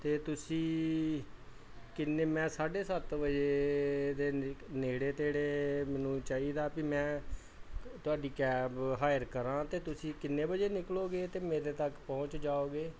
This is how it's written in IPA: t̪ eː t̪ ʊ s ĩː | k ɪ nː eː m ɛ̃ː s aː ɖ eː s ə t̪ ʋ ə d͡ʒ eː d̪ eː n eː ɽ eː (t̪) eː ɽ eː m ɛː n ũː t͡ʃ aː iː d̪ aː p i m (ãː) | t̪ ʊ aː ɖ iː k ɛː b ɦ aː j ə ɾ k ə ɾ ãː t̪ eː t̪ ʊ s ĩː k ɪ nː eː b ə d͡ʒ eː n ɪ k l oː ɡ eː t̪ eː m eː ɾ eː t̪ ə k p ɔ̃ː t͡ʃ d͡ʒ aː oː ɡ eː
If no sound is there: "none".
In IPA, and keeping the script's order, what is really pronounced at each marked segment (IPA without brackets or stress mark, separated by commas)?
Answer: t̪, ɛ̃ː